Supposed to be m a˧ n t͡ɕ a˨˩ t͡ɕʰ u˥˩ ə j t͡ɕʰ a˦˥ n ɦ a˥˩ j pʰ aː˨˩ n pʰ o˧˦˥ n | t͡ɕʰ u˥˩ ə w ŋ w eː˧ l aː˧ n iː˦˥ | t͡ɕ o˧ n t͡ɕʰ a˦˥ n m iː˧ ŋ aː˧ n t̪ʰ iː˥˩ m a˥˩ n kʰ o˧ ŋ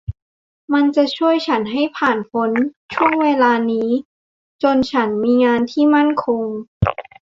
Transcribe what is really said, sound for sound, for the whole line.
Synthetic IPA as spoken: m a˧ n t͡ɕ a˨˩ t͡ɕʰ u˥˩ ə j t͡ɕʰ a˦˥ n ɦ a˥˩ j pʰ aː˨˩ n pʰ o˧˦˥ n | t͡ɕʰ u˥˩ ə ŋ w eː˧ l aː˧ n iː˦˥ | t͡ɕ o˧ n t͡ɕʰ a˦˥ n m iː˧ ŋ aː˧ n t̪ʰ iː˥˩ m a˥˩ n kʰ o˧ ŋ